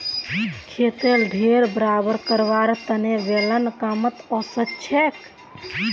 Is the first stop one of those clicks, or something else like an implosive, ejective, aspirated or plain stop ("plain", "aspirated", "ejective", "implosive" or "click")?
aspirated